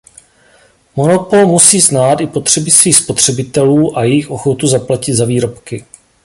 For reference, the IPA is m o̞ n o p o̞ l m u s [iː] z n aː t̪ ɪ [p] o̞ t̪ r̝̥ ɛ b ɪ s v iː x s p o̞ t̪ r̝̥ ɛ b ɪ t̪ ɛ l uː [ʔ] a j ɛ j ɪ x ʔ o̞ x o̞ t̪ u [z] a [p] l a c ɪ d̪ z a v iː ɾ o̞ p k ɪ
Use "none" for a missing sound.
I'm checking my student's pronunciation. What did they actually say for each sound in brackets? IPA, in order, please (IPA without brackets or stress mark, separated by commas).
iː, p, ʔ, z, p